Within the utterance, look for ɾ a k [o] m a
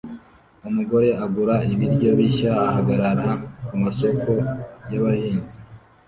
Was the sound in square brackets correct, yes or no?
no